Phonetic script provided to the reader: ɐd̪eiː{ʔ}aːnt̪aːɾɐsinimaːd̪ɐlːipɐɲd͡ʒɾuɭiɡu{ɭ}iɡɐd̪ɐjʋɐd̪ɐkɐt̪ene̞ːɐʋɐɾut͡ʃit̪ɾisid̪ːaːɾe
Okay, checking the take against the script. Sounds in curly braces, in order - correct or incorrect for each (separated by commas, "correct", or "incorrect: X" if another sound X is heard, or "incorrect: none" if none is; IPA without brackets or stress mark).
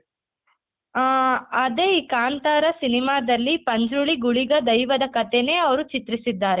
incorrect: k, correct